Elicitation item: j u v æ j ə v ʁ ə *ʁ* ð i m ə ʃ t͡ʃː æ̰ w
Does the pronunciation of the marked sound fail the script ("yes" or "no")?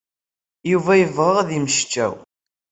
no